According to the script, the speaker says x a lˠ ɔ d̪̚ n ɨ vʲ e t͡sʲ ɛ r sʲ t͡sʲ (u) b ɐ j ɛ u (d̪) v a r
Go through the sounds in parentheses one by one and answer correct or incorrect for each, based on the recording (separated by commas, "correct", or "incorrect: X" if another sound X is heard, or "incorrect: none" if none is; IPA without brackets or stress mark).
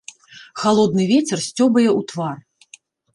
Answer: incorrect: ɔ, incorrect: t̪